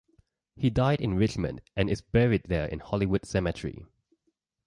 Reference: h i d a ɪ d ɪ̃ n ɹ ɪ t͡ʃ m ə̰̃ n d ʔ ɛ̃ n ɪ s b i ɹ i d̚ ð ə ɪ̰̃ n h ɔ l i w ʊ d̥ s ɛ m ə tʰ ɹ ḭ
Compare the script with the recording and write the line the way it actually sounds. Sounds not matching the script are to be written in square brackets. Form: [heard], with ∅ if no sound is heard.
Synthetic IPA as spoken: h i d a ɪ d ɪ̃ n ɹ ɪ t͡ʃ m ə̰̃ n d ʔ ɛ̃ n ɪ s b [ɛ] ɹ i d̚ ð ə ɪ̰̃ n h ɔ l i w ʊ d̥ s ɛ m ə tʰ ɹ ḭ